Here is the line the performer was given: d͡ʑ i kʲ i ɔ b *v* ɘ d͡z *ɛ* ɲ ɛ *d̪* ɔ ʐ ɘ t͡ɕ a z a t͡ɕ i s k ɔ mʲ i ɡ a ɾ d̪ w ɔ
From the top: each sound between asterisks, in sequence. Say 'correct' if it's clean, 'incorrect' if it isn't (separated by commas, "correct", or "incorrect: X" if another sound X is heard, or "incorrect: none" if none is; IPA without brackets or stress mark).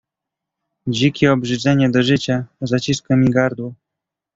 incorrect: ʐ, correct, correct